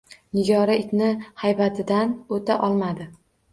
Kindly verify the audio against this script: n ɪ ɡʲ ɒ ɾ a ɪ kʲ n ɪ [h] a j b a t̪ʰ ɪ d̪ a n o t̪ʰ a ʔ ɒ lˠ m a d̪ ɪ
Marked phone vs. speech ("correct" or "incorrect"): correct